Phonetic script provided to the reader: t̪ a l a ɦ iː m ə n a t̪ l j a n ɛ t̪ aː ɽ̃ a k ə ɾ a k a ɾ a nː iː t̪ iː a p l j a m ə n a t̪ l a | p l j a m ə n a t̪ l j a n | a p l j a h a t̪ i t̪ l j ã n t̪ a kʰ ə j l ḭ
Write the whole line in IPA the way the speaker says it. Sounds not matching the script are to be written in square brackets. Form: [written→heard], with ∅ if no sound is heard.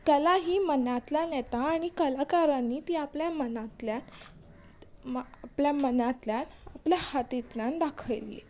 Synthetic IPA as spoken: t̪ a l a ɦ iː m ə n a t̪ l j a n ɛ t̪ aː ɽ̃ [a→i] k ə [ɾ→l] a k a ɾ a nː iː t̪ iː a p l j a m ə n a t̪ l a | p l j a m ə n a t̪ l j a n | a p l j a h a t̪ i t̪ l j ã n [t̪→d̪] a kʰ ə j l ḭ